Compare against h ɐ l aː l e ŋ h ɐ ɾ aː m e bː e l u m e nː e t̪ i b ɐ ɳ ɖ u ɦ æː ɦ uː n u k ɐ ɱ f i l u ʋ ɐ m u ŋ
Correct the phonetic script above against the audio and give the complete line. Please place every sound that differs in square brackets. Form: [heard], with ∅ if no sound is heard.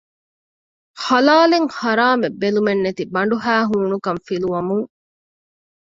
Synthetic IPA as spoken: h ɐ l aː l e ŋ h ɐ ɾ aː m e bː e l u m e nː e t̪ i b ɐ ɳ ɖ u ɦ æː ɦ uː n u k ɐ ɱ f i l u ʋ ɐ m u ŋ